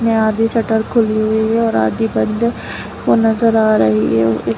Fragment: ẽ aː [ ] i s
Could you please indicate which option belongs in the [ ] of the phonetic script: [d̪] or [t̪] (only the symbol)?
d̪